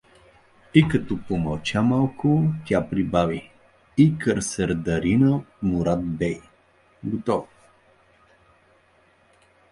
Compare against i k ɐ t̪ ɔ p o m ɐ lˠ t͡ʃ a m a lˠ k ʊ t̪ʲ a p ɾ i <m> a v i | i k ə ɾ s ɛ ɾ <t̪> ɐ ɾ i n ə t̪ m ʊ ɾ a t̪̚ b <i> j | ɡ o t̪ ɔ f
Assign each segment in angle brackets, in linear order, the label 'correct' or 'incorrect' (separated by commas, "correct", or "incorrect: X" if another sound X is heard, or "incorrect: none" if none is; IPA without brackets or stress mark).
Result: incorrect: b, incorrect: d̪, incorrect: ɛ